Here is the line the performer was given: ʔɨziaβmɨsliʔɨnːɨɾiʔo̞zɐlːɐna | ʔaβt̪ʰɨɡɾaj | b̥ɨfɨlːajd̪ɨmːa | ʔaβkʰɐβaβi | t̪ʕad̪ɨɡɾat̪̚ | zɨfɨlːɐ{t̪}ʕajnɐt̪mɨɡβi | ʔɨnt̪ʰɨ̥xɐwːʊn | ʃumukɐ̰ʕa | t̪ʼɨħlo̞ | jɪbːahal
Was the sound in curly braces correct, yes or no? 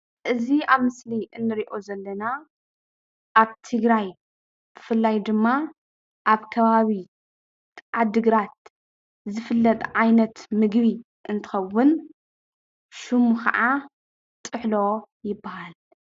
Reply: no